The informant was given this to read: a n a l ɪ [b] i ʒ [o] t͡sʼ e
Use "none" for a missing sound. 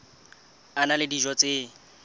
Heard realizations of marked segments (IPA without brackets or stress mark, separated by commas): d, ɔ